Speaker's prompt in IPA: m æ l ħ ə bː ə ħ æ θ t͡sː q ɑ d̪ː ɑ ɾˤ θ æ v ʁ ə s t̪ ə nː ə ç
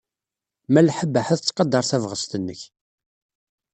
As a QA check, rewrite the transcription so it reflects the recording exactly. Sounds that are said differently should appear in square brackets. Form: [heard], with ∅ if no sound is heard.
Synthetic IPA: m æ l ħ ə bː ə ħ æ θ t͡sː q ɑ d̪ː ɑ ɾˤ θ æ v ʁ ə s t̪ ə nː ə ç

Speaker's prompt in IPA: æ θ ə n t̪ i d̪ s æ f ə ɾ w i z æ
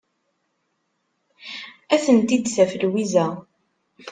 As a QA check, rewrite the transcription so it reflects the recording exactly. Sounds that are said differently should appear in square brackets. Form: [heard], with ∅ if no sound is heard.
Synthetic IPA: æ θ ə n t̪ i d̪ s æ f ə [l] w i z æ

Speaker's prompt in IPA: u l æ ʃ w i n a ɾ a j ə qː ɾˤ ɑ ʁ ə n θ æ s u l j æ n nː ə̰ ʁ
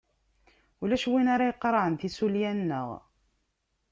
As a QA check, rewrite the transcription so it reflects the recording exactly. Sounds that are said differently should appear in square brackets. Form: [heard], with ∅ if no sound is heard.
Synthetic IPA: u l æ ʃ w i n a ɾ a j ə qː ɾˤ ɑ [ʕ] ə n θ [i] s u l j æ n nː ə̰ ʁ

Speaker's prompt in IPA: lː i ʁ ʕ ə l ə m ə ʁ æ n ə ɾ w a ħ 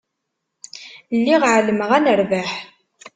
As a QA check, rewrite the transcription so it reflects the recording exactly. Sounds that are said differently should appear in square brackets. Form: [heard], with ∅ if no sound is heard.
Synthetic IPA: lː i ʁ ʕ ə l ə m ə ʁ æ n ə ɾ [v] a ħ

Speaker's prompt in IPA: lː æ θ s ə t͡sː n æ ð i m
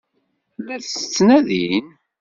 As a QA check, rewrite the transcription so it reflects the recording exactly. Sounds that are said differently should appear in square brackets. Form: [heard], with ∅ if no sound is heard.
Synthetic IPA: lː æ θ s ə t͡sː n æ ð i [n]

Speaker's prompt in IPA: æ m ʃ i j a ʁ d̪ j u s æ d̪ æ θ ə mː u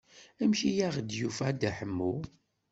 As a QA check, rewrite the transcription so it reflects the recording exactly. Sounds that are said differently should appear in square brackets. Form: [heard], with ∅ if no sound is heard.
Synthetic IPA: æ m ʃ i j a ʁ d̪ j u [f] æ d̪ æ [ħ] ə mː u

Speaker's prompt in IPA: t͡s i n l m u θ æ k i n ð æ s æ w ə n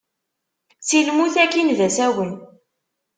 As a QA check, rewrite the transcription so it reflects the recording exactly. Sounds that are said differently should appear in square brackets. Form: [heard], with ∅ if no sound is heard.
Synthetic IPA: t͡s i [∅] l m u θ æ k i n ð æ s æ w ə n

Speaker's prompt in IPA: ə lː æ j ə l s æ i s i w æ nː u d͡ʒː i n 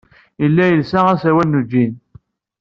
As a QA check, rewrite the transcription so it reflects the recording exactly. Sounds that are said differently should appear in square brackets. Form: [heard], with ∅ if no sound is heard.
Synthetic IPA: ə lː æ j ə l s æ [æ] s [æ] w æ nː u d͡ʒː i n

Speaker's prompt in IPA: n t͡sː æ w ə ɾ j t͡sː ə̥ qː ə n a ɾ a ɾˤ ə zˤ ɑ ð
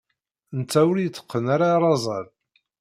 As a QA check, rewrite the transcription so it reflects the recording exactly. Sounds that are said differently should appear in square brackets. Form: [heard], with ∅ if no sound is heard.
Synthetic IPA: n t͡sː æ w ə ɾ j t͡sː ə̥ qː ə n a ɾ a ɾˤ [ɑ] zˤ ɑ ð

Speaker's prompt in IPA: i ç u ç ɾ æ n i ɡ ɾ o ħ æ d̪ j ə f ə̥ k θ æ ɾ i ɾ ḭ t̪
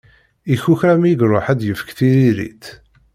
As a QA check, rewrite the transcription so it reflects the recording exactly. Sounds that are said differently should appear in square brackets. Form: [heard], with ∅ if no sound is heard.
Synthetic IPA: i ç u ç ɾ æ [m] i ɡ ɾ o ħ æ d̪ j ə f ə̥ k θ [i] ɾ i ɾ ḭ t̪

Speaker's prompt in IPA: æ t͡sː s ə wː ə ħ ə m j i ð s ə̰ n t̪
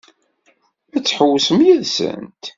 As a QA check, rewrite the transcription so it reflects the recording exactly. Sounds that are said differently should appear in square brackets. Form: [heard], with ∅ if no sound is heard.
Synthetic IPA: æ t͡sː [ħ] ə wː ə [s] ə m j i ð s ə̰ n t̪

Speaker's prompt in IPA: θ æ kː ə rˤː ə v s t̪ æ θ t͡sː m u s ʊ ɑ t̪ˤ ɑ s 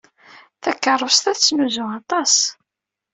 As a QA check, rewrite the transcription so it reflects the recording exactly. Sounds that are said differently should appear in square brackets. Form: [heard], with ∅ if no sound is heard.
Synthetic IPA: θ æ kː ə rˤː ə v s t̪ æ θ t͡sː [n] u [z] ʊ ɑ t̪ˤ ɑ s

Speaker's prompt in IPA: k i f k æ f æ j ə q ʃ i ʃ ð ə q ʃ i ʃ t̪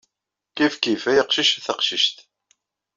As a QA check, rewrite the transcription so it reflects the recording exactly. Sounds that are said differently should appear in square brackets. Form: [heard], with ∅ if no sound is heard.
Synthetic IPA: k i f k [i] f æ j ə q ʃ i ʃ [θ] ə q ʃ i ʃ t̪

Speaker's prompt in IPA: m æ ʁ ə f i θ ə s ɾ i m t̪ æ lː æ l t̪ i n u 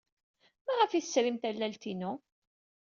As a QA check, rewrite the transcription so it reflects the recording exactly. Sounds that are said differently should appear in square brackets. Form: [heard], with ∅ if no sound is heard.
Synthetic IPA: m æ ʁ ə f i θ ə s ɾ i m t̪ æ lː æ l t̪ i n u

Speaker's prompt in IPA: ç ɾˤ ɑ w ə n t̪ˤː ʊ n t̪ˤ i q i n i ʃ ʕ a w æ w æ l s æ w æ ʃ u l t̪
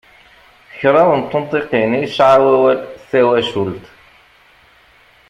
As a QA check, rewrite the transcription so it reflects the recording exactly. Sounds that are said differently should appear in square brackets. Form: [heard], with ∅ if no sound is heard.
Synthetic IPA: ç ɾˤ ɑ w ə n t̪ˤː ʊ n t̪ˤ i q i n i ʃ ʕ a w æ w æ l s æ w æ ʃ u l t̪

